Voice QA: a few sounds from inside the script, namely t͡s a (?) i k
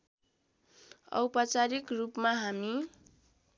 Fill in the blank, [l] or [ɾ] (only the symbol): ɾ